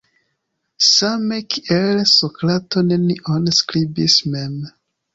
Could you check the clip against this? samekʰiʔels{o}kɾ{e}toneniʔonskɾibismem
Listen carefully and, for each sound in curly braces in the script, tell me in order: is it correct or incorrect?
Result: correct, incorrect: a

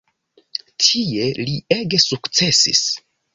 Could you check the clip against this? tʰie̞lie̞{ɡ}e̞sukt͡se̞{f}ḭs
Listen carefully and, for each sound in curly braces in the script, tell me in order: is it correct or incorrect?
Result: correct, incorrect: s

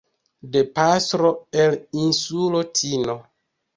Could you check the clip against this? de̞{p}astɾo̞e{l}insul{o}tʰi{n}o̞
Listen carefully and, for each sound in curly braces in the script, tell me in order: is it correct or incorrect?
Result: correct, correct, correct, correct

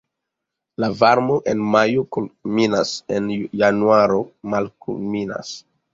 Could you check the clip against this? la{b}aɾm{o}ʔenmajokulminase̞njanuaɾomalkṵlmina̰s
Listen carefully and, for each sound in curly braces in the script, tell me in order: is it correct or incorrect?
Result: incorrect: v, correct

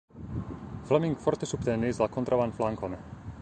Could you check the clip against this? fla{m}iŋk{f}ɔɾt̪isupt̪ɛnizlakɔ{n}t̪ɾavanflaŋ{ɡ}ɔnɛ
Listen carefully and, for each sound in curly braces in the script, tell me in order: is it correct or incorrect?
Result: correct, correct, correct, incorrect: k

